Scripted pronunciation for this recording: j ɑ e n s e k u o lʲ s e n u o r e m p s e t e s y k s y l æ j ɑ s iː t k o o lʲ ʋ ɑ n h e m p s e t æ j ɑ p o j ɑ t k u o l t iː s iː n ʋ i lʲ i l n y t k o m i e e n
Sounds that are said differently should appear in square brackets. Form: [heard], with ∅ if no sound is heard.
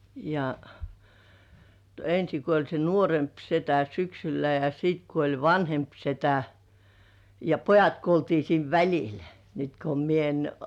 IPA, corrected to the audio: j ɑ e n s [i] k u o lʲ s e n u o r e m p s e t [æ] s y k s y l æ j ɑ s iː t k [u] o lʲ ʋ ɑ n h e m p s e t æ j ɑ p o j ɑ t k u o l t iː s iː n ʋ [æ] lʲ i l n y t k o m i e e n